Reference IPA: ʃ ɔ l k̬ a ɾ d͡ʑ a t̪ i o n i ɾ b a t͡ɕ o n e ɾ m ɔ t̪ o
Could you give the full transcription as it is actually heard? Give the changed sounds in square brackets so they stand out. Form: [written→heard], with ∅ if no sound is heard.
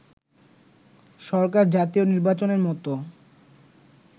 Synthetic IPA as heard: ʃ ɔ [l→ɾ] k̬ a ɾ d͡ʑ a t̪ i o n i ɾ b a t͡ɕ o n e ɾ m ɔ t̪ o